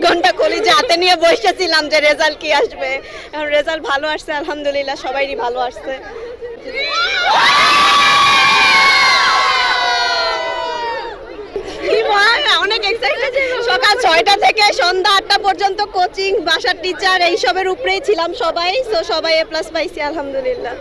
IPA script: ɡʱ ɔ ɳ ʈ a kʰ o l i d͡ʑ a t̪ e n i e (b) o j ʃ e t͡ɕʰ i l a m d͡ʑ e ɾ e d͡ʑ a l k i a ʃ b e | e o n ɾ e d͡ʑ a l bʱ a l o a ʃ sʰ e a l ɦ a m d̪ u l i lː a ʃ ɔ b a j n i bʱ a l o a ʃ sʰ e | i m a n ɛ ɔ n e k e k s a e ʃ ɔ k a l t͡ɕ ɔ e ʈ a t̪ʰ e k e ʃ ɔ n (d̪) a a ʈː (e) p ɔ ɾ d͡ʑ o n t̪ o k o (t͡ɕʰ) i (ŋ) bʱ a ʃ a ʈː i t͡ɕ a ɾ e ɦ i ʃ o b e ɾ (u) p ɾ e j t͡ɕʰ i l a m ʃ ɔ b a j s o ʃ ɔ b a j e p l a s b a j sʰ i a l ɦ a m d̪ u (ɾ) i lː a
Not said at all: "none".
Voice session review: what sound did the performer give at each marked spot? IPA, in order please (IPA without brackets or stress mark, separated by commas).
b, d̪, a, t͡ɕ, ŋ, u, l